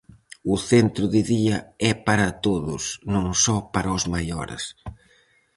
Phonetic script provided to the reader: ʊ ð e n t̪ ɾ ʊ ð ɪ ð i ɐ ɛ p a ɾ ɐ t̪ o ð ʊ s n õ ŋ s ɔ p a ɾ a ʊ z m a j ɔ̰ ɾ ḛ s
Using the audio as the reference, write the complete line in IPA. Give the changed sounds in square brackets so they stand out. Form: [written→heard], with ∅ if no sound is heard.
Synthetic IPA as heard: ʊ [ð→θ] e n t̪ ɾ ʊ ð ɪ ð i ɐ ɛ p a ɾ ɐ t̪ o ð ʊ s n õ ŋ s ɔ p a ɾ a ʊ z m a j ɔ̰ ɾ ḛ s